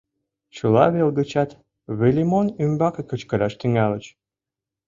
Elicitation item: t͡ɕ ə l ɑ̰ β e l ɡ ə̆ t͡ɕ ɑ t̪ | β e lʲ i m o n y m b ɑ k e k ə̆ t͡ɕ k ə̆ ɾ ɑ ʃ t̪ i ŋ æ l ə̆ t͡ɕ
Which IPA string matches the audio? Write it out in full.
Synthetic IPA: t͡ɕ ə l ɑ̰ β e l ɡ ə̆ t͡ɕ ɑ t̪ | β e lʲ i m o n y m b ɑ k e k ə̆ t͡ɕ k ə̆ ɾ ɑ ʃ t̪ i ŋ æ l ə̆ t͡ɕ

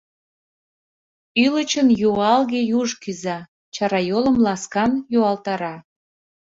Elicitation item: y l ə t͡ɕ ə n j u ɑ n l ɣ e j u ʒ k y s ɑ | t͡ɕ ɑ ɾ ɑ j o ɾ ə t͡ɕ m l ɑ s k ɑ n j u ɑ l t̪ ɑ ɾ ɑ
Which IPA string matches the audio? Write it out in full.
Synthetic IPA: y l ə t͡ɕ ə n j u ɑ l ɣ e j u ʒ k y z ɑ | t͡ɕ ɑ ɾ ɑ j o l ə m l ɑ s k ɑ n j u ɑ l t̪ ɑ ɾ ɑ

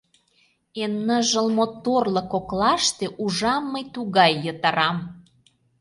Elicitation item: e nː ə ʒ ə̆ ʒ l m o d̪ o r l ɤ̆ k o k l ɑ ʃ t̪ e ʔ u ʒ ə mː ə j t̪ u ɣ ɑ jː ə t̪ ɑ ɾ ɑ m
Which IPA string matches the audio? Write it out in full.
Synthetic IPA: e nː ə ʒ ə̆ l m o t̪ o r l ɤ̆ k o k l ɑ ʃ t̪ e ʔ u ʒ ɑ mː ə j t̪ u ɣ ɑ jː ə t̪ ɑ ɾ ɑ m

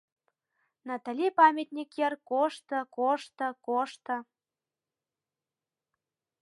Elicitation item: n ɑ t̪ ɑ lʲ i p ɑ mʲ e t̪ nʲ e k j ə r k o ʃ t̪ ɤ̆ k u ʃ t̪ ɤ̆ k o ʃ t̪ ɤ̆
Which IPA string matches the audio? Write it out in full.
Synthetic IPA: n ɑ t̪ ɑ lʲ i p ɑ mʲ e t̪ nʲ i k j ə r k o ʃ t̪ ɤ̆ k o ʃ t̪ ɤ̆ k o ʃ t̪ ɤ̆

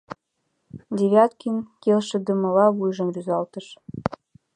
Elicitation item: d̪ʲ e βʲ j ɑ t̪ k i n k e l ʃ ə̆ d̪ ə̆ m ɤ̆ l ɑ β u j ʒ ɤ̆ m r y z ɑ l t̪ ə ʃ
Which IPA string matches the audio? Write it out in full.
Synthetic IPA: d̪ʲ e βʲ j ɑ t̪ k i n k e l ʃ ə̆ d̪ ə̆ m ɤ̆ l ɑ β u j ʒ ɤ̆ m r y z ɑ l t̪ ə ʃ

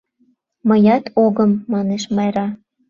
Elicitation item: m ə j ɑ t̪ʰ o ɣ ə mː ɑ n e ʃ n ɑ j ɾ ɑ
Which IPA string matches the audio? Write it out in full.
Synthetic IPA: m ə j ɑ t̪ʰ o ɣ ə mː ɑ n e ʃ m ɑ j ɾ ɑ

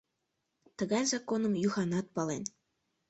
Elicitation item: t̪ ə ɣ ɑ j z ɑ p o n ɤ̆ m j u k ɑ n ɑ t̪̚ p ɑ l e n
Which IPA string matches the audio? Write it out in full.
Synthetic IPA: t̪ ə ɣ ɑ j z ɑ k o n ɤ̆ m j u x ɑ n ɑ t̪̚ p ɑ l e n

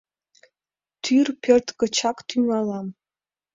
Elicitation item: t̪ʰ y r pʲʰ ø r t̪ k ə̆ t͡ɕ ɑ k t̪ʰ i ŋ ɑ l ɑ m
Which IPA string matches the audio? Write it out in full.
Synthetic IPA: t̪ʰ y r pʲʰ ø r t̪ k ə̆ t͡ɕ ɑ k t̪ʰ y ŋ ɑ l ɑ m

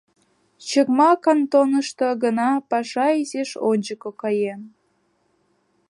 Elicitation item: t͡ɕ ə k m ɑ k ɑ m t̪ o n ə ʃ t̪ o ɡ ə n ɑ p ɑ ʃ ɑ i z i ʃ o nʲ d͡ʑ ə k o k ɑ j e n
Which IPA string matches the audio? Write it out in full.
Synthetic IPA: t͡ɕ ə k m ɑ k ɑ n t̪ o n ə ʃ t̪ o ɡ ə n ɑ p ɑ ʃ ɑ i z e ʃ o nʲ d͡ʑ ə k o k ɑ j e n

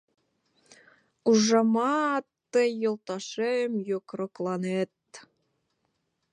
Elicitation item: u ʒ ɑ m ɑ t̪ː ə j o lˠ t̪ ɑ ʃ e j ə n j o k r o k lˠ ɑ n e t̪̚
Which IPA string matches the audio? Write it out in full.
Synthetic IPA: u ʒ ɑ m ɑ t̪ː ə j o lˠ t̪ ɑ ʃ e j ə m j o k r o k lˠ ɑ n e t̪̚

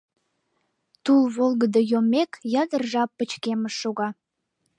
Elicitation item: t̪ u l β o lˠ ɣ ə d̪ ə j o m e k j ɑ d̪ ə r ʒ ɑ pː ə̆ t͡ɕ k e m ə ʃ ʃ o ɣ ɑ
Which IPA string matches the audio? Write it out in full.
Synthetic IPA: t̪ u l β o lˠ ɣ ə d̪ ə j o m e k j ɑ d̪ ə r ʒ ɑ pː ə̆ t͡ɕ k e m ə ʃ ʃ o ɣ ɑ

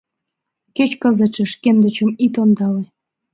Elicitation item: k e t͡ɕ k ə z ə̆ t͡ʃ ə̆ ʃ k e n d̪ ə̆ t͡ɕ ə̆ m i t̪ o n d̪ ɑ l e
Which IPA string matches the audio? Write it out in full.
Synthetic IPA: k e t͡ɕ k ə z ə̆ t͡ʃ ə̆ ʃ k e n d̪ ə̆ t͡ɕ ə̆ m i t̪ o n d̪ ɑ l e

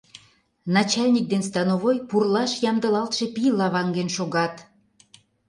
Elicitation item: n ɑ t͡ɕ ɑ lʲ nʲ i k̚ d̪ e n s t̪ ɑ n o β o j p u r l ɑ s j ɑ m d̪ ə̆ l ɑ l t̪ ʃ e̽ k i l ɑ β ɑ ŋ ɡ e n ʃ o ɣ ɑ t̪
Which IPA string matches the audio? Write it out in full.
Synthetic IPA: n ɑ t͡ɕ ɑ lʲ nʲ i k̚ d̪ e n s t̪ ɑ n o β o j p u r l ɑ ʃ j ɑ m d̪ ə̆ l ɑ l t̪ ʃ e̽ p i l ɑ β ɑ ŋ ɡ e n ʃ o ɣ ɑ t̪

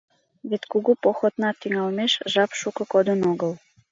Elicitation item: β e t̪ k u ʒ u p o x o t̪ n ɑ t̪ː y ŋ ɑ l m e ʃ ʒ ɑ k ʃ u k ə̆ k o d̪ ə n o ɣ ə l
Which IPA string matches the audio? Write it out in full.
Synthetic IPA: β e t̪ k u ɣ u p o x o t̪ n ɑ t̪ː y ŋ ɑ l m e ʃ ʒ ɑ p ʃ u k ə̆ k o d̪ ə n o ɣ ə l

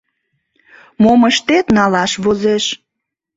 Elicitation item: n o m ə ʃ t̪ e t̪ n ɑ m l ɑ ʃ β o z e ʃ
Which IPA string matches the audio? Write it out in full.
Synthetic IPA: m o m ə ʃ t̪ e t̪ n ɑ l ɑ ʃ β o z e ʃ

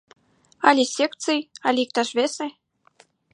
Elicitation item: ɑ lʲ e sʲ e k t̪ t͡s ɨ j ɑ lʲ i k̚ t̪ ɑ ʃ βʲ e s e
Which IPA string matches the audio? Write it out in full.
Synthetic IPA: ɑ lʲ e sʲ e k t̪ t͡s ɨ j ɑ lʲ i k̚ t̪ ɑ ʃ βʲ e s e

